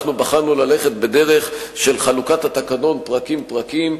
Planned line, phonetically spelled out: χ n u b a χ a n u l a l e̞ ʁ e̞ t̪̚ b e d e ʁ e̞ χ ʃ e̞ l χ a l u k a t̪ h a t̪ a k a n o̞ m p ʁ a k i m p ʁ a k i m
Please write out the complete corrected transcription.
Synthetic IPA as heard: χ n u b a χ a n u l a l e̞ χ e̞ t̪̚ b e d e ʁ e̞ χ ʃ e̞ l χ a l u k a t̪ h a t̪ a k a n o̞ n p ʁ a k i m p ʁ a k i m